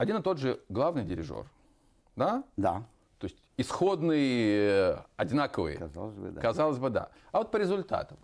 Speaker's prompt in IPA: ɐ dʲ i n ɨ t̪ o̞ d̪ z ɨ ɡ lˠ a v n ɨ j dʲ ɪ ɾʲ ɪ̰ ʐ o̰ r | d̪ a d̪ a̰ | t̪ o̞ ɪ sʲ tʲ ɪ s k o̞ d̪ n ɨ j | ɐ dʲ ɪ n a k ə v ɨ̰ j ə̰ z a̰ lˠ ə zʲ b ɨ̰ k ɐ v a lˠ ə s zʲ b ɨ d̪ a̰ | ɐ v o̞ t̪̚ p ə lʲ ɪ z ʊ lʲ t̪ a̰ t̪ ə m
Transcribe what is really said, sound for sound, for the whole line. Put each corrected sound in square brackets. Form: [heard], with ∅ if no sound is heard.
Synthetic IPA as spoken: ɐ dʲ i n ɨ t̪ o̞ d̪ [ʐ] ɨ ɡ lˠ a v n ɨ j dʲ ɪ ɾʲ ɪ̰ ʐ o̰ r | d̪ a d̪ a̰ | t̪ o̞ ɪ sʲ tʲ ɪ s [x] o̞ d̪ n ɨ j | ɐ dʲ ɪ n a k ə v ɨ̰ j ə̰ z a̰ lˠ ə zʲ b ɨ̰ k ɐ [z] a lˠ ə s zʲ b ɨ d̪ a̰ | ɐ v o̞ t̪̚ p ə [ɾʲ] ɪ z ʊ lʲ t̪ a̰ t̪ ə m